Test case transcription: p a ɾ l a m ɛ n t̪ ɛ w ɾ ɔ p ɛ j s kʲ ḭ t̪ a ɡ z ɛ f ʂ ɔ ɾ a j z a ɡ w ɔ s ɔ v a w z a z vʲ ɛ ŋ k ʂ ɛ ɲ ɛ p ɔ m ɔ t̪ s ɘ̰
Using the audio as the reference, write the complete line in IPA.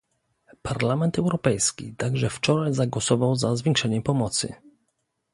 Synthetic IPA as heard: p a ɾ l a m ɛ n t̪ ɛ w ɾ ɔ p ɛ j s kʲ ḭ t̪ a ɡ ʐ ɛ f t͡ʂ ɔ ɾ a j z a ɡ w ɔ s ɔ v a w z a z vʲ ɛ ŋ k ʂ ɛ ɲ ɛ p ɔ m ɔ t̪ s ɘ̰